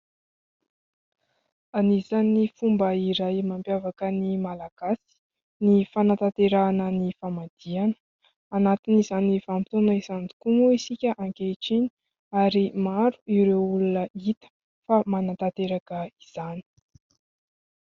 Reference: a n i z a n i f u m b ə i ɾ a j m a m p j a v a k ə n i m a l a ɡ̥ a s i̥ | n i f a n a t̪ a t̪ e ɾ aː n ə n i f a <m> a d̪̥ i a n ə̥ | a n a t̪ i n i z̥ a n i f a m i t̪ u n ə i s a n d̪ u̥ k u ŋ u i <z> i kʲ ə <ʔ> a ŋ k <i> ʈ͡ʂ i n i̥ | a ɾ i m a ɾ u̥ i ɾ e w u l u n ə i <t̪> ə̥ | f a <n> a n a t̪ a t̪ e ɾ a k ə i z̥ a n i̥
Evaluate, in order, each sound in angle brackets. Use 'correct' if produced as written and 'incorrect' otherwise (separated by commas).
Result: correct, incorrect, correct, incorrect, correct, incorrect